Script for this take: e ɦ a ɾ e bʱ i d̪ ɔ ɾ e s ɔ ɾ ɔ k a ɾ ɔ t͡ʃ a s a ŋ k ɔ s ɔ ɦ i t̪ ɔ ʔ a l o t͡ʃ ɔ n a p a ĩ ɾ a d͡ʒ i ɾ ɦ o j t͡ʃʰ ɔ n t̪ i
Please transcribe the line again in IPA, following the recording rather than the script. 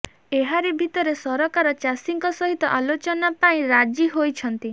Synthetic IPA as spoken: e ɦ a ɾ e bʱ i t̪ ɔ ɾ e s ɔ ɾ ɔ k a ɾ ɔ t͡ʃ a s i ŋ k ɔ s ɔ ɦ i t̪ ɔ ʔ a l o t͡ʃ ɔ n a p a ĩ ɾ a d͡ʒ i ɦ o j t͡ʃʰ ɔ n t̪ i